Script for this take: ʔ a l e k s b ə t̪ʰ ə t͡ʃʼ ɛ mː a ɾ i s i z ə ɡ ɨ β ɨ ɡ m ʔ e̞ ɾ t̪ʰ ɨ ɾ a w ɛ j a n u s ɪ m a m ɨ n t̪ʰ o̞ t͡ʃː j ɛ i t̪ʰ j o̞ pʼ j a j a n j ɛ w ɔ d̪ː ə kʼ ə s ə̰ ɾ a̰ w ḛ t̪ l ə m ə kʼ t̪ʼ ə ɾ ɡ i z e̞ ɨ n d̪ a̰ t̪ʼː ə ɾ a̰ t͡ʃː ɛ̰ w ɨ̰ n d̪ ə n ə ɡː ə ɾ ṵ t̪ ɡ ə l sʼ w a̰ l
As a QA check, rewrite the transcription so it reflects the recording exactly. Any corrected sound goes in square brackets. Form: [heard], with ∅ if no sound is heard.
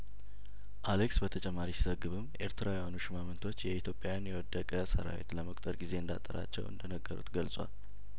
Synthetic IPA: ʔ a l e k s b ə t̪ʰ ə t͡ʃʼ ɛ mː a ɾ i s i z ə ɡ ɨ β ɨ [∅] m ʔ e̞ ɾ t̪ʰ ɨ ɾ a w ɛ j a n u [ʃ] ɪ m a m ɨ n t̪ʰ o̞ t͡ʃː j ɛ i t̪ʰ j o̞ pʼ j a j a n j ɛ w ɔ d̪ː ə kʼ ə s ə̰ ɾ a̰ w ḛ t̪ l ə m ə kʼ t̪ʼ ə ɾ ɡ i z e̞ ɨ n d̪ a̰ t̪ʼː ə ɾ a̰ t͡ʃː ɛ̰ w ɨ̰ n d̪ ə n ə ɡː ə ɾ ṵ t̪ ɡ ə l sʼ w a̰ l